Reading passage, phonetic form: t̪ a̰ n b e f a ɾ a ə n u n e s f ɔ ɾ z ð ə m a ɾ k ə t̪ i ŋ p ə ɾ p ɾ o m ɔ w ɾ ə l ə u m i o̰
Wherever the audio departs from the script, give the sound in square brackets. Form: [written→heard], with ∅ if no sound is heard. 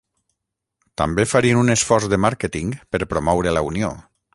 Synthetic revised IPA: t̪ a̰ [n→m] b e f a ɾ [a→i] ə n u n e s f ɔ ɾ z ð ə m a ɾ k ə t̪ i ŋ p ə ɾ p ɾ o m ɔ w ɾ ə l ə u [m→n] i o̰